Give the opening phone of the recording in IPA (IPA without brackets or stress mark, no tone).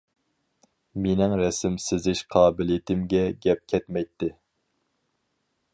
m